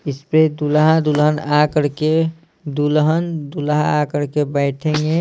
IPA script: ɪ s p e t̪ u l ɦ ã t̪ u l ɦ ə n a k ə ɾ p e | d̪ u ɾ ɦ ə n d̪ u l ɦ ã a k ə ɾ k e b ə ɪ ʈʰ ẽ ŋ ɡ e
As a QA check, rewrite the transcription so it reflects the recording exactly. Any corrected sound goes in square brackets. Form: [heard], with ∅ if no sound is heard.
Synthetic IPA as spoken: ɪ s p e [d̪] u l ɦ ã [d̪] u l ɦ ə n a k ə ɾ [k] e | d̪ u [l] ɦ ə n d̪ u l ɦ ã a k ə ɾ k e b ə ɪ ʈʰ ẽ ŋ ɡ e